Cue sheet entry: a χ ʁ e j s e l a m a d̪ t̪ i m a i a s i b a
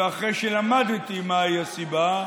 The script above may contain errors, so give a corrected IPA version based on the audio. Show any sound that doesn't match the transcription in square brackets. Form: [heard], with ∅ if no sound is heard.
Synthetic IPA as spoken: a χ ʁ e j [ʃ] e l a m a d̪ t̪ i m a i a s i b a